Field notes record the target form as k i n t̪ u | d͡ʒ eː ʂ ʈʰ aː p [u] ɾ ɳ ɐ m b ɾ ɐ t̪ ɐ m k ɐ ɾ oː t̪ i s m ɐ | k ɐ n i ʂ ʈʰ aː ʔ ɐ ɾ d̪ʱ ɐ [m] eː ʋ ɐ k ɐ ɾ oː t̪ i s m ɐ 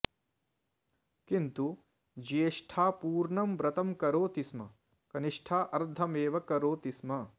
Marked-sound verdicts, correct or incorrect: incorrect, correct

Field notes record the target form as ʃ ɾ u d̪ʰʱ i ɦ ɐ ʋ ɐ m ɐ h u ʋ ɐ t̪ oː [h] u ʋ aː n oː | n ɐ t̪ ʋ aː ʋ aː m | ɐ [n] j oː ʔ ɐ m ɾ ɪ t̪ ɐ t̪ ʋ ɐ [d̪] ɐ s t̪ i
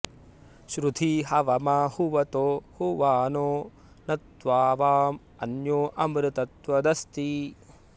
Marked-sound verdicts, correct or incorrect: correct, correct, correct

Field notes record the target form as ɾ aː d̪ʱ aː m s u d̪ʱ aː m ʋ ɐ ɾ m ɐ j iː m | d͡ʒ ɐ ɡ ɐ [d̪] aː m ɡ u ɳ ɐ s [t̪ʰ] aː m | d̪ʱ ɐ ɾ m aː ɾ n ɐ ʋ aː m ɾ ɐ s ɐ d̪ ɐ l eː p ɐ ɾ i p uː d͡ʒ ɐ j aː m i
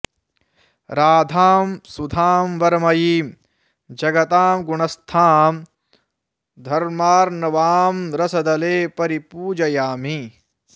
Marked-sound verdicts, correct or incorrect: incorrect, correct

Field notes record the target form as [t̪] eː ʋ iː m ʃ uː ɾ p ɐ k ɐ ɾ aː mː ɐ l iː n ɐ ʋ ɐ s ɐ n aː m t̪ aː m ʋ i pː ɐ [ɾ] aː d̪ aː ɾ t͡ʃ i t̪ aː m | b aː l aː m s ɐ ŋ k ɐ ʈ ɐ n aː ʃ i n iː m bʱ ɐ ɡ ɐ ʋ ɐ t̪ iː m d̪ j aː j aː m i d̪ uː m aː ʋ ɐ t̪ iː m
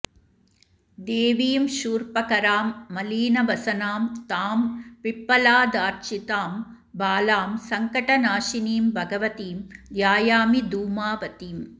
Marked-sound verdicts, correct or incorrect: incorrect, incorrect

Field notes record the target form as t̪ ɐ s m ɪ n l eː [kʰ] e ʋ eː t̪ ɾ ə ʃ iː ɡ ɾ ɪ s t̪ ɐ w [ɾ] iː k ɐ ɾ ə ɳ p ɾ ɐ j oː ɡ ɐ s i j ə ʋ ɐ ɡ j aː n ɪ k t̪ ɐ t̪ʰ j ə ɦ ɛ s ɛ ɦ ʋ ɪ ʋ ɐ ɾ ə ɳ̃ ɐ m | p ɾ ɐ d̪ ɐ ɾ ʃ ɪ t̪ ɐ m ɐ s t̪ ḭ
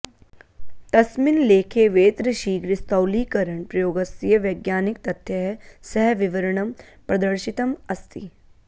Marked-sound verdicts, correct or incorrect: correct, incorrect

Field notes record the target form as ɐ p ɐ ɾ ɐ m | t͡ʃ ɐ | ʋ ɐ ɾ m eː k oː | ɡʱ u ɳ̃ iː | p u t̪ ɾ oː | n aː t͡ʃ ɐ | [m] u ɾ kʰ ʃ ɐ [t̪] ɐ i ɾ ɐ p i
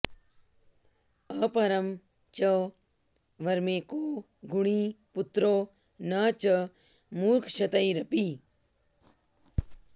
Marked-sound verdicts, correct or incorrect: correct, correct

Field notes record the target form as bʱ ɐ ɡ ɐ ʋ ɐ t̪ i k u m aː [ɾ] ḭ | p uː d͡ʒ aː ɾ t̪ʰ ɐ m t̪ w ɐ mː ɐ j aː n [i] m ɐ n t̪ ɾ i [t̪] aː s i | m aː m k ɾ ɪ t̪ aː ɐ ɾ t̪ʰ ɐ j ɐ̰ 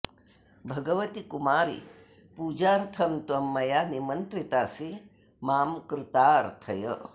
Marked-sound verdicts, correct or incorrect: correct, correct, correct

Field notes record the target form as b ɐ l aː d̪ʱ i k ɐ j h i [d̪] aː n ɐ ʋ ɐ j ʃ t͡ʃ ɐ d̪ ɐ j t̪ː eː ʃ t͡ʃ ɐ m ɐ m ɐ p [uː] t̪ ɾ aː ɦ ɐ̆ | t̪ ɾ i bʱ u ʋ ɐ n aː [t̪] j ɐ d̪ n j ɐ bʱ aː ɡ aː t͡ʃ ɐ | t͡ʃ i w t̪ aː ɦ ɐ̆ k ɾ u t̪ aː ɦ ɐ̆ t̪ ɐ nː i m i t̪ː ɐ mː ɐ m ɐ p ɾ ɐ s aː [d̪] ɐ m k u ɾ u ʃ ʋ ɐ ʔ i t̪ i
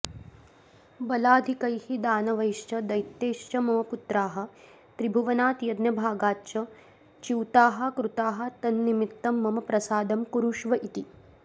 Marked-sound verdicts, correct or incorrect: correct, incorrect, correct, correct

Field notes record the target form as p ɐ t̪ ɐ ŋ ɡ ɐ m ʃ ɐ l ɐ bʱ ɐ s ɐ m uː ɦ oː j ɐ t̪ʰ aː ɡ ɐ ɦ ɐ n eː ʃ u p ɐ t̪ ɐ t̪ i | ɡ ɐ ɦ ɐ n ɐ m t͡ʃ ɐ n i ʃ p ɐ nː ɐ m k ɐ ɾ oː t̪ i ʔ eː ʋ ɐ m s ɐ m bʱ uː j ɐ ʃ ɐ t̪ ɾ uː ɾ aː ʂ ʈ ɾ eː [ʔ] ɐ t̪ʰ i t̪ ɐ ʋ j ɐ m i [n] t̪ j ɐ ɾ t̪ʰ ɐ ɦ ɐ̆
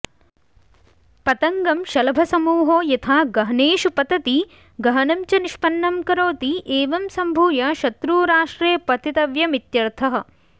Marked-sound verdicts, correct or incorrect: incorrect, incorrect

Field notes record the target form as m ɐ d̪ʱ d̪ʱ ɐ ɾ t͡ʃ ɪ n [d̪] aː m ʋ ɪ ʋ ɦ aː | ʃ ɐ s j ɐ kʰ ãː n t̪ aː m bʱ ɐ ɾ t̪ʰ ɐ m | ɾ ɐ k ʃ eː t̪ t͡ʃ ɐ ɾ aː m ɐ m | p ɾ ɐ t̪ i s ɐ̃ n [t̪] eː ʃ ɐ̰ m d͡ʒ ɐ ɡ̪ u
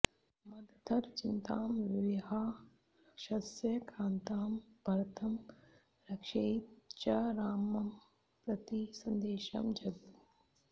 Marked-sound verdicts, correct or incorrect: incorrect, incorrect

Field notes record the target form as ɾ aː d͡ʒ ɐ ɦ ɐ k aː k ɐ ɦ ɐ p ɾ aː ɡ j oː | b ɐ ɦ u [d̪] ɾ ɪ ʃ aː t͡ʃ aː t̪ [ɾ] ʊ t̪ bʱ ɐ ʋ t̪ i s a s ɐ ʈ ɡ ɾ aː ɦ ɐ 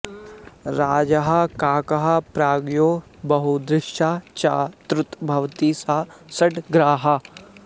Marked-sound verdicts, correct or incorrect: correct, correct

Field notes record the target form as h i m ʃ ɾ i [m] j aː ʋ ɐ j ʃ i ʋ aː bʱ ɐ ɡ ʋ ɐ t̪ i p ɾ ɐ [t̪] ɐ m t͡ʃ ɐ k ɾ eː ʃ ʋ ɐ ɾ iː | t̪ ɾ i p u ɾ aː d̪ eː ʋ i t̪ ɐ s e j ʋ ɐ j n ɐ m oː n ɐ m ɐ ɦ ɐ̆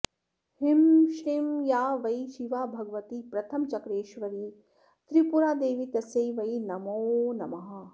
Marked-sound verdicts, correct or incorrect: correct, incorrect

